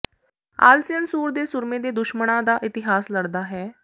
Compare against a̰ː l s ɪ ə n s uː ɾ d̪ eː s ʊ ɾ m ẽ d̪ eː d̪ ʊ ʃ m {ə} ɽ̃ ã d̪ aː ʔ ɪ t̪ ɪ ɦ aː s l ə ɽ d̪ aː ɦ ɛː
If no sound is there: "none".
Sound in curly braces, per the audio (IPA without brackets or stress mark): ə